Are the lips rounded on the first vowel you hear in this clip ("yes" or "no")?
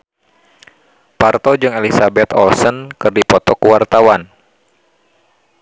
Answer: no